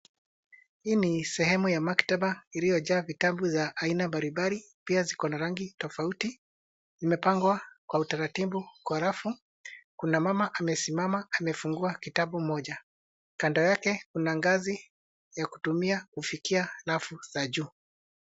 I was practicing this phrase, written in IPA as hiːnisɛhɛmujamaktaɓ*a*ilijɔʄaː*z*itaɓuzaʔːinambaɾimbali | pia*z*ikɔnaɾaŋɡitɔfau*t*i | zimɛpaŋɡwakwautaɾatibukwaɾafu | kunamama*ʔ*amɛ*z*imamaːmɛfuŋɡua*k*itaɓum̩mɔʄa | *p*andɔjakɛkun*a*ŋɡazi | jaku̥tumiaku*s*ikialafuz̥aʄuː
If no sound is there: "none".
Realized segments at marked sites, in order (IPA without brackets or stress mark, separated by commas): a, v, z, t, ʔ, s, k, k, a, f